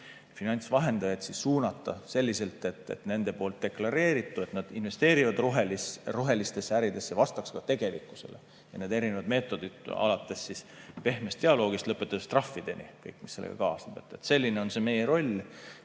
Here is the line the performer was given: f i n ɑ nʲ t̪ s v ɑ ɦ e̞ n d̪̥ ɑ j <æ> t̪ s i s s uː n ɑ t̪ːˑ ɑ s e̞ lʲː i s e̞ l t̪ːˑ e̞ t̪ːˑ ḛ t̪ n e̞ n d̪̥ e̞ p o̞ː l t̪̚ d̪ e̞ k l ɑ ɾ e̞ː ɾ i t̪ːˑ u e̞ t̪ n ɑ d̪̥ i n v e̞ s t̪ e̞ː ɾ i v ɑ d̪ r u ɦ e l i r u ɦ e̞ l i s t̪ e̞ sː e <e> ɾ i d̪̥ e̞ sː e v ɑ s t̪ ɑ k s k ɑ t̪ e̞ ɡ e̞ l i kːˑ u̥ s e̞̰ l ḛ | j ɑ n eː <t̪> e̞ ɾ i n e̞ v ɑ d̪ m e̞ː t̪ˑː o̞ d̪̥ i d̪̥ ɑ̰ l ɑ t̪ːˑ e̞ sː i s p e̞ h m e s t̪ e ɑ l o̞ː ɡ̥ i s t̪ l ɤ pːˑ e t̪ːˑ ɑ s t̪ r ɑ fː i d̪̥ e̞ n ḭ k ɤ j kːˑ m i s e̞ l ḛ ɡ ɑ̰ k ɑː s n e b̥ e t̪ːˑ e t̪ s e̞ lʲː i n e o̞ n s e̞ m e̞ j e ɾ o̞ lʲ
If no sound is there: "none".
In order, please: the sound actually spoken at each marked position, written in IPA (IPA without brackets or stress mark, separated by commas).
e, æ, d̪